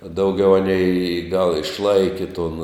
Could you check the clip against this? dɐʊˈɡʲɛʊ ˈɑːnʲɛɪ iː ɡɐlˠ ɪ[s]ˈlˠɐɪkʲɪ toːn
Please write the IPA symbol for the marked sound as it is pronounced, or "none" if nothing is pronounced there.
ʃ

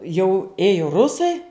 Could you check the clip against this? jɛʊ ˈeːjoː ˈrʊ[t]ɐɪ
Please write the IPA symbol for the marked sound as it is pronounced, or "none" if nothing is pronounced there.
s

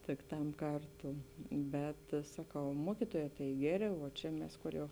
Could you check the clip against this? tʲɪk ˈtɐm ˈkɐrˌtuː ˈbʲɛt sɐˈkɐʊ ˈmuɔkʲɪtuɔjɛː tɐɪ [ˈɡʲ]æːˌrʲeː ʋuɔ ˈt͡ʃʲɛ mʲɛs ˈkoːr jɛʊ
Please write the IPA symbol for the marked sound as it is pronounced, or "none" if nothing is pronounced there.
ɡʲ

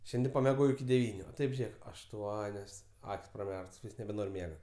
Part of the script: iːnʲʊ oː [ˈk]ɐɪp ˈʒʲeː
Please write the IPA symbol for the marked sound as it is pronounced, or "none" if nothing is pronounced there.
t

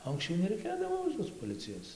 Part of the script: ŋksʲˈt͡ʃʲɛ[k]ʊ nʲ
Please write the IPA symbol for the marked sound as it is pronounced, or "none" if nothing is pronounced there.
none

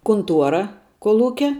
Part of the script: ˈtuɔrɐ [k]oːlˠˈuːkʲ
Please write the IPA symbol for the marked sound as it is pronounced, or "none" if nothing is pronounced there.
k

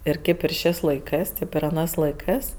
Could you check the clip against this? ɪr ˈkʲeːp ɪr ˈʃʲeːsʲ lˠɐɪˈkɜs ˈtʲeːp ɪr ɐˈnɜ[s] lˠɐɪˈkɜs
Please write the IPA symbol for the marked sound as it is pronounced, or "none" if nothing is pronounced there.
s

